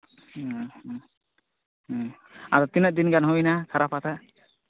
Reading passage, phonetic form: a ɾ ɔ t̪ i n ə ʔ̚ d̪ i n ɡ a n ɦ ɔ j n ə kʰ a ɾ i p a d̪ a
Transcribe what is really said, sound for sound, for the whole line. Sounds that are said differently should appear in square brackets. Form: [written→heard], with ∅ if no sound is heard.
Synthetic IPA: a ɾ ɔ t̪ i n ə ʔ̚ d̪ i n ɡ a n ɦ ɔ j n [ə→a] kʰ a ɾ [i→a] p a [d̪→t̪] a